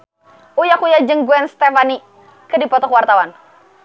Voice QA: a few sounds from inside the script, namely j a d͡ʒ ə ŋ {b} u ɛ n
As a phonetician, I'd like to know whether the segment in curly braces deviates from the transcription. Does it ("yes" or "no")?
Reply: yes